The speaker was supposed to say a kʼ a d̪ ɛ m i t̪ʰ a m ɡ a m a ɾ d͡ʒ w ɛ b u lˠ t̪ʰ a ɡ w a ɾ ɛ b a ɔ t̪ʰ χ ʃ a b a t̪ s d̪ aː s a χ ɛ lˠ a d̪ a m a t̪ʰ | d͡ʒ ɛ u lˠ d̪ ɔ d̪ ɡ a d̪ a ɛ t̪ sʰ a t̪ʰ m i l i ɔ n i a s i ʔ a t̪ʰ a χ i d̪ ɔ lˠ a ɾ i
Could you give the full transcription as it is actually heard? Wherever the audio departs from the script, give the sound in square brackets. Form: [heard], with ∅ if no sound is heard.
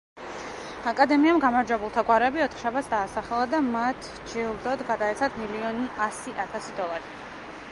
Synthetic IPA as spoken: a kʼ a d̪ ɛ m i [∅] a m ɡ a m a ɾ d͡ʒ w ɛ b u lˠ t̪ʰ a ɡ w a ɾ ɛ b [i] ɔ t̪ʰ χ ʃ a b a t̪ s d̪ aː s a χ ɛ lˠ a d̪ a m a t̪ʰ | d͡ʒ ɛ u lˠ d̪ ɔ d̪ ɡ a d̪ a ɛ t̪ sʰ a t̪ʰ m i l i ɔ n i a s i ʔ a t̪ʰ a [s] i d̪ ɔ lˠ a ɾ i